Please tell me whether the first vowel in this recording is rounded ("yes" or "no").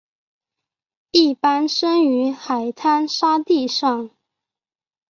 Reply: no